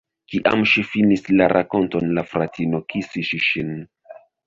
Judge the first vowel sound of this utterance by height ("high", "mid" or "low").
high